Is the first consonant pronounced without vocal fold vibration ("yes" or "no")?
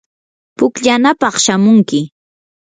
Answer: yes